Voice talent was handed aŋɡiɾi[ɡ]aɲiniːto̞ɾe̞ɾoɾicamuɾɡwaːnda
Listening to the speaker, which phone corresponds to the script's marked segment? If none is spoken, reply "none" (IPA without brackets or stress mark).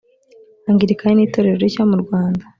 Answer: k